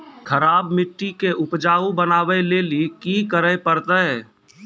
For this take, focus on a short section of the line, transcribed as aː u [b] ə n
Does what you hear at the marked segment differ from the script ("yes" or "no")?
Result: no